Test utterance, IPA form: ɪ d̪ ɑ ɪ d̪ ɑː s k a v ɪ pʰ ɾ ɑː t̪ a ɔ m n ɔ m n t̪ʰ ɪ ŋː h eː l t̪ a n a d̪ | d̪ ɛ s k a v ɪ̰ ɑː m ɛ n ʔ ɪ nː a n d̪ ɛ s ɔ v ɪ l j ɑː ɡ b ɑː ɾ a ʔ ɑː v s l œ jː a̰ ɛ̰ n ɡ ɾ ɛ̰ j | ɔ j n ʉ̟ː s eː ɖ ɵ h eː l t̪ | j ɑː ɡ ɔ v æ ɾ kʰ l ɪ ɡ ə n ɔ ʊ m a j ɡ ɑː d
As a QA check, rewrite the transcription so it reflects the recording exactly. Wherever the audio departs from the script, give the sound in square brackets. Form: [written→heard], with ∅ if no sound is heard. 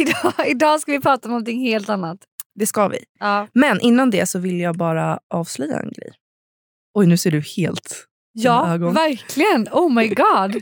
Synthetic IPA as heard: ɪ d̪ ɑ ɪ d̪ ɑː s k a v ɪ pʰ ɾ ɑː t̪ a ɔ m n ɔ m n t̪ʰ ɪ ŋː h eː l t̪ a [n→nː] a [d̪→t̪] | d̪ ɛ s k a v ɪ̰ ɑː m ɛ n ʔ ɪ nː a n d̪ ɛ s ɔ v ɪ l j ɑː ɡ b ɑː ɾ a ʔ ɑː v s l œ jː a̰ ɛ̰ n ɡ ɾ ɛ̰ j | ɔ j n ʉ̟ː s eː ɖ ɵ h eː l t̪ | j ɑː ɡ ɔ v æ ɾ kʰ l ɪ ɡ ə n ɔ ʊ m a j ɡ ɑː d